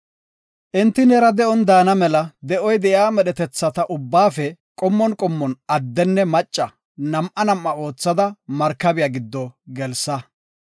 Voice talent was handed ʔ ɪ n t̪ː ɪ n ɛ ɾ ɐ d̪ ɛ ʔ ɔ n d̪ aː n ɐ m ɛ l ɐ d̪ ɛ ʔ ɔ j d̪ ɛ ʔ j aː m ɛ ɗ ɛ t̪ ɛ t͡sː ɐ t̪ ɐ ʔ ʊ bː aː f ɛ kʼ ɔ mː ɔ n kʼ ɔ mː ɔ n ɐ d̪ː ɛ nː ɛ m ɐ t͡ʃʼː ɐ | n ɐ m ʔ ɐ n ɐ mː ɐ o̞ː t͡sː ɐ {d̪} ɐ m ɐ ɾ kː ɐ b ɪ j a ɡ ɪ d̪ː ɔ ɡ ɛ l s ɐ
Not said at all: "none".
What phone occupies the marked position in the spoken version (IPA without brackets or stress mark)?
d̪